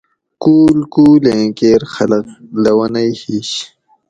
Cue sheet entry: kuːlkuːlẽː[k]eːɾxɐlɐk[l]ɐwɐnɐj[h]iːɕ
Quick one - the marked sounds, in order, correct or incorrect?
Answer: correct, correct, correct

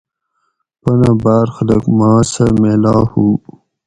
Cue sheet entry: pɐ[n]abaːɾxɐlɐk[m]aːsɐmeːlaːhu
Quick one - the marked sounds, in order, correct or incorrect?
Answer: correct, correct

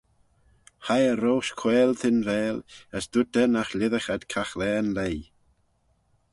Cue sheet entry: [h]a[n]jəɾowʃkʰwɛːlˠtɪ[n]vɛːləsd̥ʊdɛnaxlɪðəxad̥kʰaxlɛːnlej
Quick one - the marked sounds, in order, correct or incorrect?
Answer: correct, incorrect: none, correct

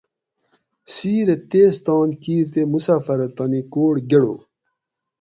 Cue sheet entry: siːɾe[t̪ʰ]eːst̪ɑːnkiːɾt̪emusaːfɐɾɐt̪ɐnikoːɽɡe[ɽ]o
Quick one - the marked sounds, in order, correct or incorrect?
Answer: incorrect: t̪, correct

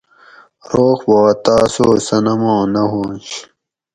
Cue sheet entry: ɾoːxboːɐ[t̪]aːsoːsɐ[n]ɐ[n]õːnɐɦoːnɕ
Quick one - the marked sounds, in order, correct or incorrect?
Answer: correct, correct, incorrect: m

